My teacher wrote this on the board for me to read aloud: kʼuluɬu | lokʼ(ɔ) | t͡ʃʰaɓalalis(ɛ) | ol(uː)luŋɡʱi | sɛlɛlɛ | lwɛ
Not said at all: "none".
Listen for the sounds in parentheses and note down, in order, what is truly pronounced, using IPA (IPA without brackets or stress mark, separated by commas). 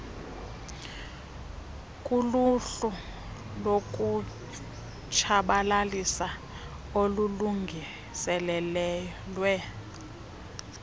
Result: u, a, u